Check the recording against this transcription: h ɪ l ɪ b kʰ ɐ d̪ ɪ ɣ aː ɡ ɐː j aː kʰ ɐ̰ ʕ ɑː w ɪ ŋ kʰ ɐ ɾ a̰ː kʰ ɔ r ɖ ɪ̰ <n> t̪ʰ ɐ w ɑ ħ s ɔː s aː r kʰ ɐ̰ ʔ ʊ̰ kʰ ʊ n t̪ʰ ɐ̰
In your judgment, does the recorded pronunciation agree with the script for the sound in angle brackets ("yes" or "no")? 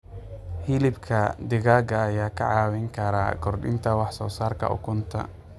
yes